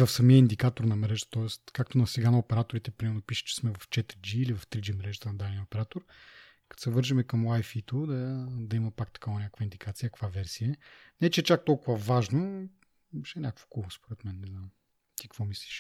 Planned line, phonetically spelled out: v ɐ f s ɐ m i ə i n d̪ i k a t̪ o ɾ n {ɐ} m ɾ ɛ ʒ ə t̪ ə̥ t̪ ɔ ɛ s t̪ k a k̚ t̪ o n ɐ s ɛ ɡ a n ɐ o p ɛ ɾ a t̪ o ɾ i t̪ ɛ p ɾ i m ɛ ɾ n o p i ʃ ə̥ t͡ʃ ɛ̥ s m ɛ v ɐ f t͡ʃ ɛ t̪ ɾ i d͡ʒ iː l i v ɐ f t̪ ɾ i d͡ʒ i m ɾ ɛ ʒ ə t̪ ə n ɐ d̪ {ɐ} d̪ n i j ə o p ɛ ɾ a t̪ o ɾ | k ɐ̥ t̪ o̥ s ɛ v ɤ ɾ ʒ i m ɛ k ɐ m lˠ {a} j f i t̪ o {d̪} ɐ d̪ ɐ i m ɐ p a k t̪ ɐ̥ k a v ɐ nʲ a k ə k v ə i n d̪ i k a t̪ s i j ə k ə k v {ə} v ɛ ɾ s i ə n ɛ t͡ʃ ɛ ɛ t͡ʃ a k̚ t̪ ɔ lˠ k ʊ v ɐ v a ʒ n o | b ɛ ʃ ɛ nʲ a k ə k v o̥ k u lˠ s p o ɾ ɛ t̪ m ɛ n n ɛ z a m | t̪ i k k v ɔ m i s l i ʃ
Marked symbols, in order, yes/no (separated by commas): yes, no, yes, yes, no